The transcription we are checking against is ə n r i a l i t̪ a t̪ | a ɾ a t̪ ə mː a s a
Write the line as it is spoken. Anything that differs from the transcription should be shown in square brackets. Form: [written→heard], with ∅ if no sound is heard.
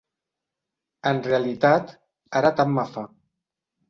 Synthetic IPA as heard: ə n r [i→e] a l i t̪ a t̪ | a ɾ a t̪ [ə→a] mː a [s→f] a